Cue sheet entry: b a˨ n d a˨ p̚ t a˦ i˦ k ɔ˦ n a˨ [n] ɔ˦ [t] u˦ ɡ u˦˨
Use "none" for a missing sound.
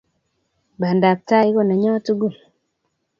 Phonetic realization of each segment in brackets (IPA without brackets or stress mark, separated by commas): ɲ, t